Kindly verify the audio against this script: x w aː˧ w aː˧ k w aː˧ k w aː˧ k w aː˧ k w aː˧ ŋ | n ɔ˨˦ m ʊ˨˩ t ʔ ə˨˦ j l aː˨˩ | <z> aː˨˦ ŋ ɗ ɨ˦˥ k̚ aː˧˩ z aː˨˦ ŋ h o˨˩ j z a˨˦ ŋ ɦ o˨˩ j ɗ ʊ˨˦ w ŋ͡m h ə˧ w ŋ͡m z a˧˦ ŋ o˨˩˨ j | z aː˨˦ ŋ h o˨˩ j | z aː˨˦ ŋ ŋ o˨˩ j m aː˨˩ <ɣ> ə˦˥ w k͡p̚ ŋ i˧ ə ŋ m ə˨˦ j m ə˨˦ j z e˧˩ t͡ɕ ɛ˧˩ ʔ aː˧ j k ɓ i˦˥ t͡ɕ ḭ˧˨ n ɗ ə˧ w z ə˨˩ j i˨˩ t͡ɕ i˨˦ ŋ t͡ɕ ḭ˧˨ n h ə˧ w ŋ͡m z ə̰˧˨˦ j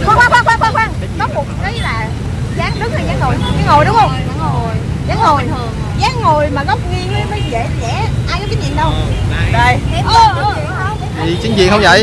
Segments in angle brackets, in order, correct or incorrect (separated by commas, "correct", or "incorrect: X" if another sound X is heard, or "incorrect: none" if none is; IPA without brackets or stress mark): correct, correct